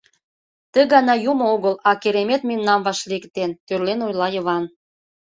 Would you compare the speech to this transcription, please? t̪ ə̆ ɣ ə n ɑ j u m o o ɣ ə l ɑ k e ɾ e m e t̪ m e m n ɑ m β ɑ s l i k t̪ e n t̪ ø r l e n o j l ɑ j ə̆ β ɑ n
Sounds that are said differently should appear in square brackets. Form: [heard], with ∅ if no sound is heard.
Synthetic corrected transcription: t̪ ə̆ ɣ [ɑ] n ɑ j u m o o ɣ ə l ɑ k e ɾ e m e t̪ m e m n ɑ m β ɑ [ʃ] l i k t̪ e n t̪ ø r l e n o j l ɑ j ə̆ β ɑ n